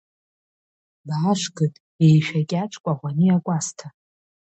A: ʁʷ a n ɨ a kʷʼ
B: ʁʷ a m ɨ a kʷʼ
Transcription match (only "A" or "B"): A